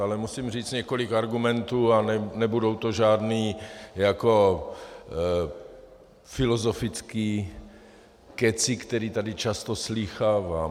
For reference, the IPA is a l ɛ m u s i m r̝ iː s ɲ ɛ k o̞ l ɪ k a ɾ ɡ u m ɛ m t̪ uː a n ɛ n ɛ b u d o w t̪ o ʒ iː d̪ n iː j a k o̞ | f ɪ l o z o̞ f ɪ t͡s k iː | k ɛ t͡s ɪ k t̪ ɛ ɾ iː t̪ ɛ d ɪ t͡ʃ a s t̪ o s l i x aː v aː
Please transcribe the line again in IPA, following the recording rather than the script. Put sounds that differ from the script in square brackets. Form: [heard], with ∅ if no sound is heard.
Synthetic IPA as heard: a l ɛ m u s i m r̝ iː [t͡s] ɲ ɛ k o̞ l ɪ k a ɾ ɡ u m ɛ [n] t̪ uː a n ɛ n ɛ b u d o w t̪ o ʒ [aː] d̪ n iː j a k o̞ | f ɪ l o z o̞ f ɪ t͡s k iː | k ɛ t͡s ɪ k t̪ ɛ ɾ iː t̪ [a] d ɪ t͡ʃ a s t̪ o s l i x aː v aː